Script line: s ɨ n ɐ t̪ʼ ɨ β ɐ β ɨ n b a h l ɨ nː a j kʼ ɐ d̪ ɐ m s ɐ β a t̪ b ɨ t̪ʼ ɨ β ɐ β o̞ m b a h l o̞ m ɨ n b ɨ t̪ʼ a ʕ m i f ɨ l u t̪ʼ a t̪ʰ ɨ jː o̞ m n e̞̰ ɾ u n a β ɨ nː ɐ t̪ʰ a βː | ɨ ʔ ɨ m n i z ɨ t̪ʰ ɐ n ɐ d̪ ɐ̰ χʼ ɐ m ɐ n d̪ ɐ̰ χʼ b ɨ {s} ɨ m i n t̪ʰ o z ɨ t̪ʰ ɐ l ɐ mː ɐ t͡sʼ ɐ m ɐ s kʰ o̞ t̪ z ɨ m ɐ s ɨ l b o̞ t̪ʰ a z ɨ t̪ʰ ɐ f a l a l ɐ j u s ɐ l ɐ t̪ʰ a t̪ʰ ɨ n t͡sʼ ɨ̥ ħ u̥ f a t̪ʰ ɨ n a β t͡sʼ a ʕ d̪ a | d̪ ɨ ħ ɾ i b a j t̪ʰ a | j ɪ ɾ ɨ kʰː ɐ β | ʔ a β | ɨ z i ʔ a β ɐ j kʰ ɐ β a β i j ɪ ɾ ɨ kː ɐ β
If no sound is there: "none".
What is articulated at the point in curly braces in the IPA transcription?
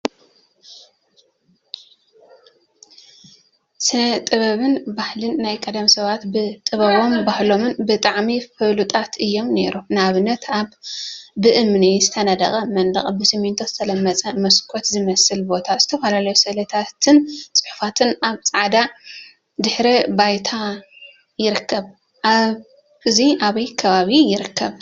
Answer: s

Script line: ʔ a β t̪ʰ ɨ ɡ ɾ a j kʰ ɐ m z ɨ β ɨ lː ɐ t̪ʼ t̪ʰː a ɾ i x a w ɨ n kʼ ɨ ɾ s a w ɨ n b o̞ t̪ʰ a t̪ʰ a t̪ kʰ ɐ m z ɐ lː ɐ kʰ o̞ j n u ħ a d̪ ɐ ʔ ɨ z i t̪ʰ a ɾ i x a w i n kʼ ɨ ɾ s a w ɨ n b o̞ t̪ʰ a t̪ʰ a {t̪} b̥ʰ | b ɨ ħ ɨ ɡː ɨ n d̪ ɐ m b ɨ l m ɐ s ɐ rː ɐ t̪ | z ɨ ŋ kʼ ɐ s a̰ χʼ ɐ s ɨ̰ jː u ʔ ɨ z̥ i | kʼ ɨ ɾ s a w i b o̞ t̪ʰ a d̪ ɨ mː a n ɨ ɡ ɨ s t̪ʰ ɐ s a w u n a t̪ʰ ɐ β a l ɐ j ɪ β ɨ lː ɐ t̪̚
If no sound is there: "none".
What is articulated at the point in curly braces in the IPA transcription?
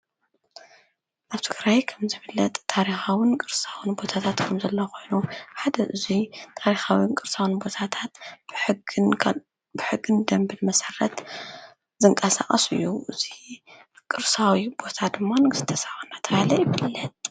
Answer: t̪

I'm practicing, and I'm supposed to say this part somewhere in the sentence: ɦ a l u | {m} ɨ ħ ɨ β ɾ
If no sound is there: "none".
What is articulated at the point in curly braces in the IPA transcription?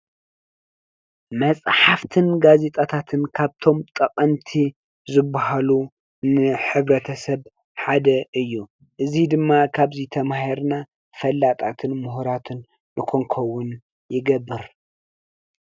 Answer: n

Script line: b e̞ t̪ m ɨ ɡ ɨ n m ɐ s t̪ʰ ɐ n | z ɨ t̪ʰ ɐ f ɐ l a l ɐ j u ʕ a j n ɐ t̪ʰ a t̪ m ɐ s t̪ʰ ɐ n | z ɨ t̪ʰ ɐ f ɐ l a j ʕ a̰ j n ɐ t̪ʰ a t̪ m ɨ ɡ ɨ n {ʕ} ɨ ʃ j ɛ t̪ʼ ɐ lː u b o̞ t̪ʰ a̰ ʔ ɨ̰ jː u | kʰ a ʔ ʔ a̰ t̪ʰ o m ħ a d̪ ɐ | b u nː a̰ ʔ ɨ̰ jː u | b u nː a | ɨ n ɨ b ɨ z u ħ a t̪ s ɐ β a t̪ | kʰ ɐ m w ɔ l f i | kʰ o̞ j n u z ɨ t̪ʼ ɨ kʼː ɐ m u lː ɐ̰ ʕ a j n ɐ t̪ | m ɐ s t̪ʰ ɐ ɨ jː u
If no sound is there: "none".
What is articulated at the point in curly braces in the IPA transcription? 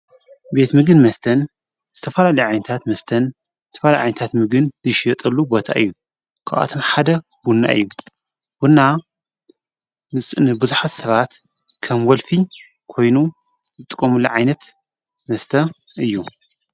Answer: z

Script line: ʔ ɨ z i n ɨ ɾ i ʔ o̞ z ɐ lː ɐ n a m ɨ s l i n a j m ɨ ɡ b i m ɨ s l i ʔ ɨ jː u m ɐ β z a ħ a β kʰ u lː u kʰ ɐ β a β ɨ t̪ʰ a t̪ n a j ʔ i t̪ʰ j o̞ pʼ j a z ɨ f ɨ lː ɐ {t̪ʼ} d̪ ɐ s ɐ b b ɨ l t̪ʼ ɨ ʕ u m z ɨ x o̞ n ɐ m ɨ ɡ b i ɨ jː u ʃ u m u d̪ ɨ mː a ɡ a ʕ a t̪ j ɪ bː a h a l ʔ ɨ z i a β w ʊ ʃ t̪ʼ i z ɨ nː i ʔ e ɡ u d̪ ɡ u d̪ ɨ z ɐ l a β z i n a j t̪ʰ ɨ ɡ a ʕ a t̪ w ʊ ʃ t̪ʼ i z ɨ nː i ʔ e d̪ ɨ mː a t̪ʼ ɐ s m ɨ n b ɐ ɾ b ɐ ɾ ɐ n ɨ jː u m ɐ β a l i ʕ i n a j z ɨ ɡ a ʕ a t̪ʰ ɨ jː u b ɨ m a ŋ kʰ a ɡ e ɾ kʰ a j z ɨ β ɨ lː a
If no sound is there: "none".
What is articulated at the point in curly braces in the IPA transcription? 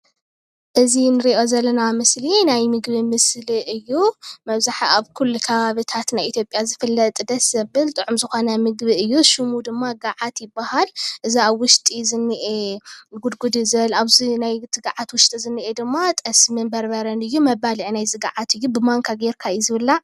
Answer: t̪ʼ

